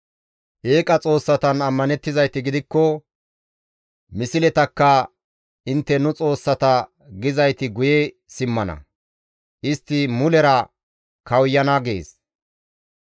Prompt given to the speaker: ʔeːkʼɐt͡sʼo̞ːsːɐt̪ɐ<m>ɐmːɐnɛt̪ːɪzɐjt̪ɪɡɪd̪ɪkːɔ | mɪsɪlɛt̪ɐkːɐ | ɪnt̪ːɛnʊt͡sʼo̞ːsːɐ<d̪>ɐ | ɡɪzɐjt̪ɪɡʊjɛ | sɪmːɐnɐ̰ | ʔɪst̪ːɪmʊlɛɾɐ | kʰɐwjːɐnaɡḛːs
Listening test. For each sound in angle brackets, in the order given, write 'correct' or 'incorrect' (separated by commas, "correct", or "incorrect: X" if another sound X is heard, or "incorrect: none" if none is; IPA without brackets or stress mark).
incorrect: n, incorrect: t̪